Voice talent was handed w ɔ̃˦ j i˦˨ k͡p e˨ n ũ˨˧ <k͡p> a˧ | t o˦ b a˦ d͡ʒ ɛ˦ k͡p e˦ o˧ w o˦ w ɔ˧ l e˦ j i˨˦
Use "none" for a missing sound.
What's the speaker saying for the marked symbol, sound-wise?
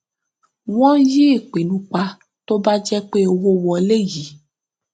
k͡p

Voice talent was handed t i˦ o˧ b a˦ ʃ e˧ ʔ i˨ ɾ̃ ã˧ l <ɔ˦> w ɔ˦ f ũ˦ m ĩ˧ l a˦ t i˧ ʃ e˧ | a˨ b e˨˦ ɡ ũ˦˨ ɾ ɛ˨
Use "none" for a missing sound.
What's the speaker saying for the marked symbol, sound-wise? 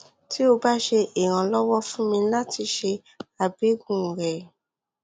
ɔ˦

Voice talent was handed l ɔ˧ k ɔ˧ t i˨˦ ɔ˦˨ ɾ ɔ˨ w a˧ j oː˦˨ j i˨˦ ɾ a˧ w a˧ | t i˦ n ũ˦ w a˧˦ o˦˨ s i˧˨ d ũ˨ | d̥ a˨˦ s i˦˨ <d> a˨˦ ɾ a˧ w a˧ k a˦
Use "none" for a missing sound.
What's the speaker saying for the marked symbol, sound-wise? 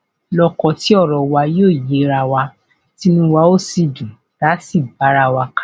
b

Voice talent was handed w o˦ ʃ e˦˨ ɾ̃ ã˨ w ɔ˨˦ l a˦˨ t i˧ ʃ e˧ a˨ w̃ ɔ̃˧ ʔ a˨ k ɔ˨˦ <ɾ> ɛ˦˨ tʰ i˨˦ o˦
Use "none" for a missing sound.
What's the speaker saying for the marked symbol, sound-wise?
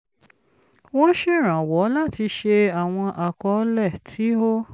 l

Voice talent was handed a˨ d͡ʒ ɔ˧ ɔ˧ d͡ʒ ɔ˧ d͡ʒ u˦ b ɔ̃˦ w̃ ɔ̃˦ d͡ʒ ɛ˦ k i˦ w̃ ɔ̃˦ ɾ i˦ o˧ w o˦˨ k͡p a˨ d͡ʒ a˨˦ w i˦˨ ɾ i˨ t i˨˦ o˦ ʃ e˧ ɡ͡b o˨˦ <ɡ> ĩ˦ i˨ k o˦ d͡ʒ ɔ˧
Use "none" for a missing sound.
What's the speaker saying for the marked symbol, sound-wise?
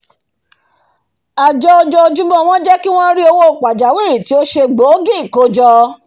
ɡ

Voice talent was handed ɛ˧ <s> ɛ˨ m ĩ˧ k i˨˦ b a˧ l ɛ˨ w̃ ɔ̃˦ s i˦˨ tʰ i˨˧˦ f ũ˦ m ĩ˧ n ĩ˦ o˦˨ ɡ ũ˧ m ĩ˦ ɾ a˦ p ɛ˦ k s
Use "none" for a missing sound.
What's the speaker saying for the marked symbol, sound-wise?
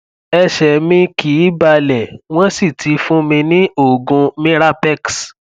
ʃ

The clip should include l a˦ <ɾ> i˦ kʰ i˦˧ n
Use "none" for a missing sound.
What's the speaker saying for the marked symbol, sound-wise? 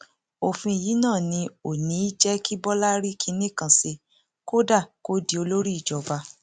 ɾ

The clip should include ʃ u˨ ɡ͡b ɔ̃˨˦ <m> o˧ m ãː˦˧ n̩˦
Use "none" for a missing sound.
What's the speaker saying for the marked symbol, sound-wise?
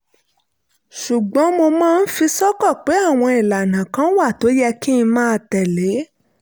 m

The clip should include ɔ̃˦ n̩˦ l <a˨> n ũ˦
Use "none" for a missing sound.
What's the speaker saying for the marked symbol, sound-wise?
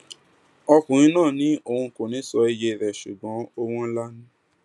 a˦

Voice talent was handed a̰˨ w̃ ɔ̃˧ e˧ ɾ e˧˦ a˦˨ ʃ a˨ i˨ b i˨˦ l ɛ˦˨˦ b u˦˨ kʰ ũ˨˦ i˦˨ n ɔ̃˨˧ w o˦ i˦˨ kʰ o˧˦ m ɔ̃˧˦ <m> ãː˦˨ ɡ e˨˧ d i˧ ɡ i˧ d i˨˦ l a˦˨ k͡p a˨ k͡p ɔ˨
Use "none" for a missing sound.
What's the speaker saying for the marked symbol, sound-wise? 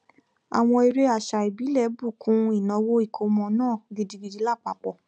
n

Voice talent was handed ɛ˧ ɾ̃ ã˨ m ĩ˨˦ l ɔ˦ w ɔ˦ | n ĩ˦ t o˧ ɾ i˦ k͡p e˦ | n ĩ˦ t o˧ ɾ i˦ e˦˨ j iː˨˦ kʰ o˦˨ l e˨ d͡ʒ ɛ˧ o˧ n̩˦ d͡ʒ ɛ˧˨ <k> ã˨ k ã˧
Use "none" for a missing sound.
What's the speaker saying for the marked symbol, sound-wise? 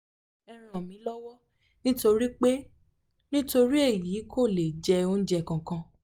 k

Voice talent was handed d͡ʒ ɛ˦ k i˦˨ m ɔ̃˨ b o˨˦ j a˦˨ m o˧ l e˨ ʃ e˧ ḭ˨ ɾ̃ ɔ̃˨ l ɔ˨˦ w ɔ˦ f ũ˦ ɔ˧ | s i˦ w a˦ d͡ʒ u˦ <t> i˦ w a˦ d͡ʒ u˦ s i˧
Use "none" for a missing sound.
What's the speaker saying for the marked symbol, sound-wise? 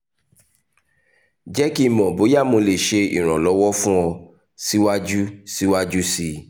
s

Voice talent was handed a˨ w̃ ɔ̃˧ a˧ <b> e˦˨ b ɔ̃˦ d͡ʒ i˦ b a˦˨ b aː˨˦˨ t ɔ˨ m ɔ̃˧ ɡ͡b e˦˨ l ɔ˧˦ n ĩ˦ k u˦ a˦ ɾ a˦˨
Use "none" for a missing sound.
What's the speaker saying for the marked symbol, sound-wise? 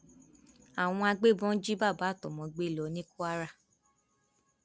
ɡ͡b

